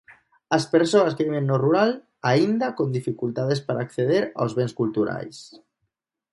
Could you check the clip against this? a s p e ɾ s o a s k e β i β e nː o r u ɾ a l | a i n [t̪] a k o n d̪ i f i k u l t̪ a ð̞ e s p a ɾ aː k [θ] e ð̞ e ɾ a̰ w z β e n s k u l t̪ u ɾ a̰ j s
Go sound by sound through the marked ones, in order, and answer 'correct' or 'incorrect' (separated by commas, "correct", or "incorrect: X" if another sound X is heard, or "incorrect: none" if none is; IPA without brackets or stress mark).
incorrect: d̪, correct